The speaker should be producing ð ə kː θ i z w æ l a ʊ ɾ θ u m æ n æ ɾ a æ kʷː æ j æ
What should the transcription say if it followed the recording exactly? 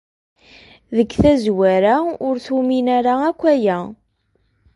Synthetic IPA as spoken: ð ə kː θ æ z w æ ɾ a ʊ ɾ θ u m i n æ ɾ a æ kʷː æ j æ